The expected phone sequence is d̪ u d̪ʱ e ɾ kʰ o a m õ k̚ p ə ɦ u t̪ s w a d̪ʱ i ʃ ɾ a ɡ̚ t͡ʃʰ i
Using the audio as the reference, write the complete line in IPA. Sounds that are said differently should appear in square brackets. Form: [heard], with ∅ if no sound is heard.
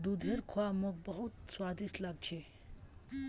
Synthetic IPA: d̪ u d̪ʱ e ɾ kʰ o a m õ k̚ [b] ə ɦ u t̪ s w a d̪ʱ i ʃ [l] a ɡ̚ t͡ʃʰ [e]